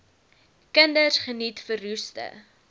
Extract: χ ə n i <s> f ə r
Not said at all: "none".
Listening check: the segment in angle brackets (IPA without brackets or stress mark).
t